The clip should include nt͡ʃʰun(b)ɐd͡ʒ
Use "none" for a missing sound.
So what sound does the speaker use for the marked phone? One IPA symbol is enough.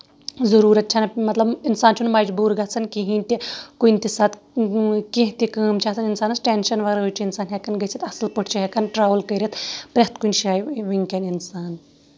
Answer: m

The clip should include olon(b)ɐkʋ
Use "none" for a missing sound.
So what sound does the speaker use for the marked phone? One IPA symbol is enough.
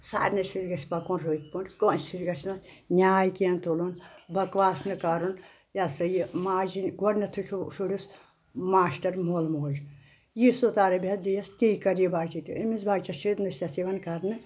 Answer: b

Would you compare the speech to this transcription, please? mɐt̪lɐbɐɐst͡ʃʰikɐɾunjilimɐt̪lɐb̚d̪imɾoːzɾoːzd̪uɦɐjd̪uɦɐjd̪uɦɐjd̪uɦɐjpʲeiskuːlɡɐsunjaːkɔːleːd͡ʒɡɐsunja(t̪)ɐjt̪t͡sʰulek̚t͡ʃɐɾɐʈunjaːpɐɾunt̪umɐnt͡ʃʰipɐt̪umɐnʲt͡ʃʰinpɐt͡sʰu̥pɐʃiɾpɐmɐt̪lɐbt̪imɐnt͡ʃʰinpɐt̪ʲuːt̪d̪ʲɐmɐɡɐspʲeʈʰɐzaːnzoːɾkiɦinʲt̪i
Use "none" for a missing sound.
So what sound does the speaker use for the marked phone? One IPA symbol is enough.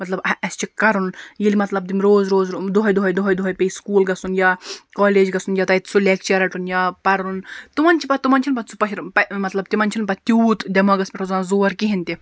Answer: t̪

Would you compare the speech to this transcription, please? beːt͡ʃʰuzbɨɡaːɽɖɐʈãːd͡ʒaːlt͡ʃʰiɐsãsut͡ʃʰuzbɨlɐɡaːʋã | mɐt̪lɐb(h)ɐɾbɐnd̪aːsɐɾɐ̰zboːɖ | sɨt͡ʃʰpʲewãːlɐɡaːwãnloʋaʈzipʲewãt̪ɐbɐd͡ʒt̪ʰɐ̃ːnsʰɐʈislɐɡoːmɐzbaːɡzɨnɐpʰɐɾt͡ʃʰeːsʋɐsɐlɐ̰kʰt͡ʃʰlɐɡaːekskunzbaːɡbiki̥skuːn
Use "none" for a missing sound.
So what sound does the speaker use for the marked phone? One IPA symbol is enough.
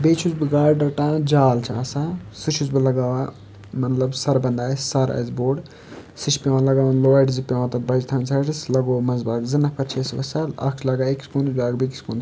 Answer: s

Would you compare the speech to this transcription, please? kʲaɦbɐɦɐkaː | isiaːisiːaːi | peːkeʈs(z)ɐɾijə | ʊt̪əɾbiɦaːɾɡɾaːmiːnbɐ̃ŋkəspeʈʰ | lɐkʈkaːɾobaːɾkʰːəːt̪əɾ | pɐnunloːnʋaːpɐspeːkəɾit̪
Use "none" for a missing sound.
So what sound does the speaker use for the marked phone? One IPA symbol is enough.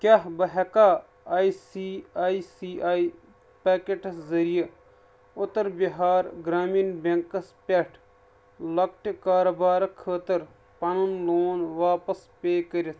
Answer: z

